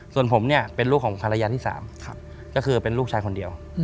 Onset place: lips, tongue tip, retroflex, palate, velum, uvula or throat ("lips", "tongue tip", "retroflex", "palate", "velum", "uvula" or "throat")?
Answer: tongue tip